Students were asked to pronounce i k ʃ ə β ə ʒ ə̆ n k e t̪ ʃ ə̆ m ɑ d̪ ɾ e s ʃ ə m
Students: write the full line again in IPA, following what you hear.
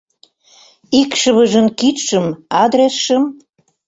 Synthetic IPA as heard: i k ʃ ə β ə ʒ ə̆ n k i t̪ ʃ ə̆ m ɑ d̪ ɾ e s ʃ ə m